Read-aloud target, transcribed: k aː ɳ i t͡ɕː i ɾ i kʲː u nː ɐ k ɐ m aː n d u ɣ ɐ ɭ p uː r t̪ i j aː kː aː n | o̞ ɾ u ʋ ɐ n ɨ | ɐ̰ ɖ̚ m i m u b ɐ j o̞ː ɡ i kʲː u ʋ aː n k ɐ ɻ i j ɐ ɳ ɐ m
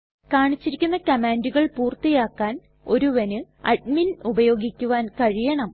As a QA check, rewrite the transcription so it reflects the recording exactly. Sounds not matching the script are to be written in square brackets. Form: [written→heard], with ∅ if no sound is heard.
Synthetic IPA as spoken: k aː ɳ i t͡ɕː i ɾ i kʲː u nː ɐ k ɐ m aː n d u ɣ ɐ ɭ p uː r t̪ i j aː kː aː n | o̞ ɾ u ʋ ɐ n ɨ | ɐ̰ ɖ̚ m i [m→n] u b ɐ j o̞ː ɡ i kʲː u ʋ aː n k ɐ ɻ i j ɐ ɳ ɐ m